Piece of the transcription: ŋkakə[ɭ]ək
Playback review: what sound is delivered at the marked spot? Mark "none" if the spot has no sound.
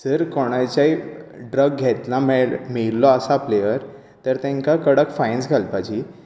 ɽ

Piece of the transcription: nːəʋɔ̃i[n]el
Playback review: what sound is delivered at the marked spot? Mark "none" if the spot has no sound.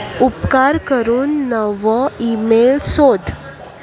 m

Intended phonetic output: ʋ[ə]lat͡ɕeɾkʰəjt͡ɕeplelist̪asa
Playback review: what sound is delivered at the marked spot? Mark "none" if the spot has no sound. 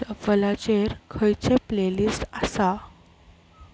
ə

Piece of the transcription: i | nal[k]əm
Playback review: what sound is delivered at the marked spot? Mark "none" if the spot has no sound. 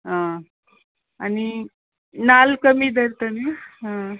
k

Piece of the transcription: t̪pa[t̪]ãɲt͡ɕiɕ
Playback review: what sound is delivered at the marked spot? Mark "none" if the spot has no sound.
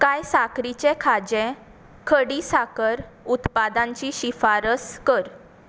d̪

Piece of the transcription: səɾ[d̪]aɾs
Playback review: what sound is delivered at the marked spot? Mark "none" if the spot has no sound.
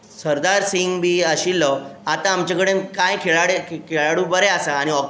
d̪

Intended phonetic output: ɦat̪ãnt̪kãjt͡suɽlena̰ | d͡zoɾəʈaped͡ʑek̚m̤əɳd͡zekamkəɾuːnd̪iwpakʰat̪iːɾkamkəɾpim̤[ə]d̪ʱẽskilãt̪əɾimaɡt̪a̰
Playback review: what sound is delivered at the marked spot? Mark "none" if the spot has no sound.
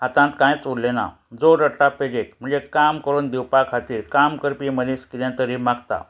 ə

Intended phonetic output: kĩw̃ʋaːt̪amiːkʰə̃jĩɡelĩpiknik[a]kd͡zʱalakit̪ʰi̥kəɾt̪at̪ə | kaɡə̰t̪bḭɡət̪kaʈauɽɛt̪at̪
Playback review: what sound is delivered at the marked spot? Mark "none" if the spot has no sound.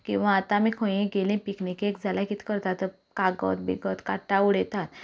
e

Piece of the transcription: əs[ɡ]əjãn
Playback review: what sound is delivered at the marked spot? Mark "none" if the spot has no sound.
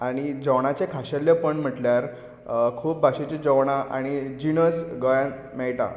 ɡ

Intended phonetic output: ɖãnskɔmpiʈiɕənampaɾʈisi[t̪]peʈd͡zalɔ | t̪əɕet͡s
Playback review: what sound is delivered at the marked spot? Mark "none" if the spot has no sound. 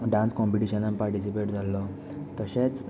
none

